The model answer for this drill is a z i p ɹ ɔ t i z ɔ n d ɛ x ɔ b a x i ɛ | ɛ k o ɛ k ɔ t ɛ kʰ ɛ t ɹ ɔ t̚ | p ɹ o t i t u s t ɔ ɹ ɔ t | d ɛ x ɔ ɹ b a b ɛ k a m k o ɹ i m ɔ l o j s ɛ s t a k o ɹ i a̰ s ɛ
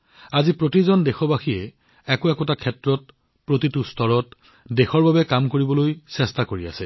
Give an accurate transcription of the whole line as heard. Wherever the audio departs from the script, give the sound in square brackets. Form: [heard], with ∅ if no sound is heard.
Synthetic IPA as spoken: a z i p ɹ [o] t i z ɔ n d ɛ x ɔ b a x i ɛ | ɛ k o ɛ k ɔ t [a] kʰ ɛ t ɹ ɔ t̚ | p ɹ o t i t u s t ɔ ɹ ɔ t | d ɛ x ɔ ɹ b a b ɛ k a m k o ɹ i [b] ɔ l o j s ɛ s t a k o ɹ i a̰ s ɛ